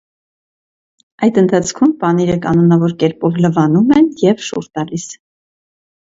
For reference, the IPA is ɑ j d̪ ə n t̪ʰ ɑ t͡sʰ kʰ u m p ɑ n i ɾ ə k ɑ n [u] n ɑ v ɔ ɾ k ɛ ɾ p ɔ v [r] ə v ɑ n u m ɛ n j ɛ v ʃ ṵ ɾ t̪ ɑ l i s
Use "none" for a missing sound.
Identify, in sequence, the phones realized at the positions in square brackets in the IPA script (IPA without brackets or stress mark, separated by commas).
ɔ, l